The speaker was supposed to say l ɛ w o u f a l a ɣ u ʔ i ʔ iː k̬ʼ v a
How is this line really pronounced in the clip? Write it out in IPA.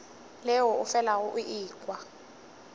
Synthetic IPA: l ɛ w ɔ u f ɛ l a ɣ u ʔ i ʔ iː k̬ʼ w a